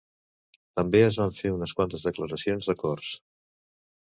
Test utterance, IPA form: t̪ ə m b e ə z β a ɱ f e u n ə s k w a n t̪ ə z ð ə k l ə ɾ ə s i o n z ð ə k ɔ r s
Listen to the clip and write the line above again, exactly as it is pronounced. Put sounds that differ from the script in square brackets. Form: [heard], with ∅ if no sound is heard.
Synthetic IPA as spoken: t̪ ə m b e ə z β a ɱ f e u n ə s k w a n t̪ ə z ð ə k l ə ɾ ə s i o n z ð ə k ɔ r s